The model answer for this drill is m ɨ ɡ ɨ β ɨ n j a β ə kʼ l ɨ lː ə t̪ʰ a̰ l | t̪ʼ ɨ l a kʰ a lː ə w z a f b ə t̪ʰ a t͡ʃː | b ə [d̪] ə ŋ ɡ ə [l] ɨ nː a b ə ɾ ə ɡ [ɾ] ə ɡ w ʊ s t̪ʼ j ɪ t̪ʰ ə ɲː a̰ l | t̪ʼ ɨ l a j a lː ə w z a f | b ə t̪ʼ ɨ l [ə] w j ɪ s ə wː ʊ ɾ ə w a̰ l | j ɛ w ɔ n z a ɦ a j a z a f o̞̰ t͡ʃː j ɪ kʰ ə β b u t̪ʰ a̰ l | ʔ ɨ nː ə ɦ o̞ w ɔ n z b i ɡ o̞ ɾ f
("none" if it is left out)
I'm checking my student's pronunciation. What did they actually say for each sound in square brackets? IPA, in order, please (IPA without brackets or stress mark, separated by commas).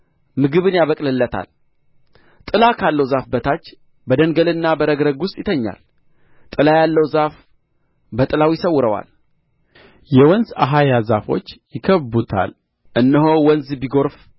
d̪, l, ɾ, a